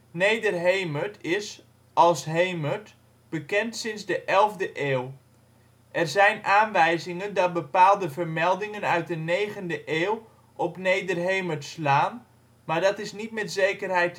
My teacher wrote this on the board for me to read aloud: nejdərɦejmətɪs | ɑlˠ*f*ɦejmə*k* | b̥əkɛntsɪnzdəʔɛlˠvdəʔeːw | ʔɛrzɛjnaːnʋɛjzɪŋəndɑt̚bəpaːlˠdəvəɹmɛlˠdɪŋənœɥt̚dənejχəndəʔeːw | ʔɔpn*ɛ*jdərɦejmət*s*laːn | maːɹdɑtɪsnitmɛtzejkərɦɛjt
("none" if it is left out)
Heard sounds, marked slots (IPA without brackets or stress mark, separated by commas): s, t, e, s